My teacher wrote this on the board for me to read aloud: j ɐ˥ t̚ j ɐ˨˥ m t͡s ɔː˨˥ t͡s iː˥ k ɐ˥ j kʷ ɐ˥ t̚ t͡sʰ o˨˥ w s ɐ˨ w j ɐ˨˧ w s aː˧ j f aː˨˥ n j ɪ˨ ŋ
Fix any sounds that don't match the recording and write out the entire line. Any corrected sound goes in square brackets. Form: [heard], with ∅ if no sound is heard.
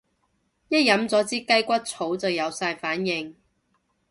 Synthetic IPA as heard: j ɐ˥ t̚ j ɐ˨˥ m t͡s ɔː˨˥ t͡s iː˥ k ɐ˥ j kʷ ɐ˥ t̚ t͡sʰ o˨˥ w [t͡s] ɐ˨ w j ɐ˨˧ w s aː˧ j f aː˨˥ n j ɪ˨ ŋ